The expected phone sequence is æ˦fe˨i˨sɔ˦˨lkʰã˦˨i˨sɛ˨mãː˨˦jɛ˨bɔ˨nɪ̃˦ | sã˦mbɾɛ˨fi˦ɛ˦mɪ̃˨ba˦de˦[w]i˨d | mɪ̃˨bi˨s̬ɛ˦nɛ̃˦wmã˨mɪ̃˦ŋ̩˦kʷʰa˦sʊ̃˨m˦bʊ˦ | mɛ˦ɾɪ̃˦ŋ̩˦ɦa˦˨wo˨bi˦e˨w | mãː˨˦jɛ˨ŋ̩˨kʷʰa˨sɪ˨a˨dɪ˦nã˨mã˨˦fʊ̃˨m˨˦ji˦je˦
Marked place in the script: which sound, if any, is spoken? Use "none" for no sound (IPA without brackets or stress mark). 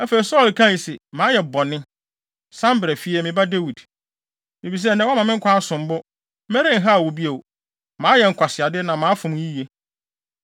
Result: w